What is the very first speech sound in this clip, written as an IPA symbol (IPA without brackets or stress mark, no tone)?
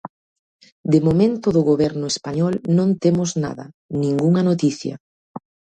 d̪